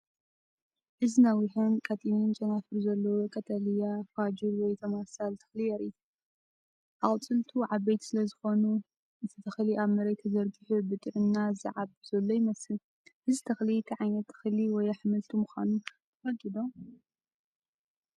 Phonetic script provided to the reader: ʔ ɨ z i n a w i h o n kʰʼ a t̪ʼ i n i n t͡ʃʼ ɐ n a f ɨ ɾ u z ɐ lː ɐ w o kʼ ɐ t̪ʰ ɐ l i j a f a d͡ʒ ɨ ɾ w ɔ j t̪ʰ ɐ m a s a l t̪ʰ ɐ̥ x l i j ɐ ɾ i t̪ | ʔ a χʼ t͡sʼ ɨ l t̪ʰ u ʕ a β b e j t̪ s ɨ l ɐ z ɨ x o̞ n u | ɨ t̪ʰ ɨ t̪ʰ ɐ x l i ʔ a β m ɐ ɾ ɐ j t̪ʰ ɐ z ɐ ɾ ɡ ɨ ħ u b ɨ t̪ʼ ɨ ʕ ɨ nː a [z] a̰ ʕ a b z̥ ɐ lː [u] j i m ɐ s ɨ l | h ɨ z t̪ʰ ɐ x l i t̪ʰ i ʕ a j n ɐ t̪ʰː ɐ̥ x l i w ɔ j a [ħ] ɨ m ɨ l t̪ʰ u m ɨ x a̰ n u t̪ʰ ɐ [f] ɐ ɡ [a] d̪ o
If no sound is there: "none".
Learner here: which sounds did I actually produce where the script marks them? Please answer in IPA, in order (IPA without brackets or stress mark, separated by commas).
z, o, ħ, f, i